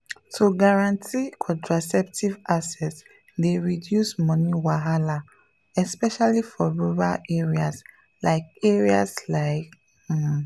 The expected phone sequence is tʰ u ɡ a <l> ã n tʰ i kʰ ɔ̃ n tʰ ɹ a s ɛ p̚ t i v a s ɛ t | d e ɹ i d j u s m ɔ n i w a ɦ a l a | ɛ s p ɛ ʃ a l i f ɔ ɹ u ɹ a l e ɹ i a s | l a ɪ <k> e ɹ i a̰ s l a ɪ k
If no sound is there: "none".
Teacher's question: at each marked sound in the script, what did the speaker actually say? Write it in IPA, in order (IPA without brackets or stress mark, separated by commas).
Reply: ɹ, k